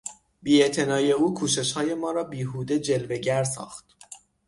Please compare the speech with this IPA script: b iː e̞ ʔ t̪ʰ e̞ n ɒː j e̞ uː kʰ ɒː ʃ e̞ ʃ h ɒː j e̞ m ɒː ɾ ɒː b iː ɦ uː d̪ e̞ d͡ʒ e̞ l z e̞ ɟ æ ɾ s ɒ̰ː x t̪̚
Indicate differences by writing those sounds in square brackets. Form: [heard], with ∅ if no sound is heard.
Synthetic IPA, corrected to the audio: b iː e̞ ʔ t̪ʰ e̞ n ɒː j e̞ uː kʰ [uː] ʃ e̞ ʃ h ɒː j e̞ m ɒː ɾ ɒː b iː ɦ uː d̪ e̞ d͡ʒ e̞ l [v] e̞ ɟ æ ɾ s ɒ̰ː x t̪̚